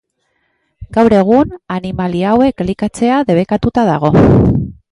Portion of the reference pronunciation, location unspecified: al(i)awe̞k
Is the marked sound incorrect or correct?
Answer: correct